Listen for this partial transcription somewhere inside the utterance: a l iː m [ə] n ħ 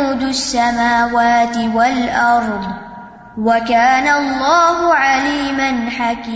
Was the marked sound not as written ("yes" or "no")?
yes